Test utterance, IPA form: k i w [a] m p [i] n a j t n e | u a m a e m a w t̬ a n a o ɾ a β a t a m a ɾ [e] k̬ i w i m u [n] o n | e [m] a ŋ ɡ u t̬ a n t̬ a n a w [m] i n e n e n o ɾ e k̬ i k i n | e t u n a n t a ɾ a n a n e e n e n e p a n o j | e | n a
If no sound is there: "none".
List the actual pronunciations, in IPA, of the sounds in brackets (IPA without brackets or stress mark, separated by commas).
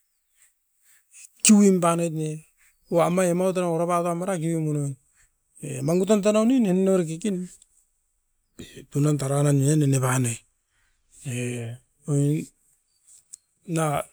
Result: i, a, a, n, m, n